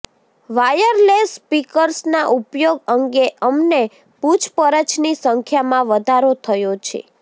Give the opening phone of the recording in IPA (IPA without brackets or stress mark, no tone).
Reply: ʋ